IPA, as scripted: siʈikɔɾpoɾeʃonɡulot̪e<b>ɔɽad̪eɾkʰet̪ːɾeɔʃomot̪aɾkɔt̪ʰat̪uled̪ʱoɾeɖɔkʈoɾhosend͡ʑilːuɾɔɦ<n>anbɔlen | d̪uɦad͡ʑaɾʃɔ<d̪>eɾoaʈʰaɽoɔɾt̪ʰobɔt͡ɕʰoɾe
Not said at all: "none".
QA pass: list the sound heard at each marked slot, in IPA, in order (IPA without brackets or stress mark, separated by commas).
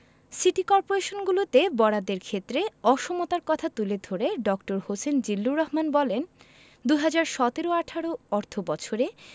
b, m, t̪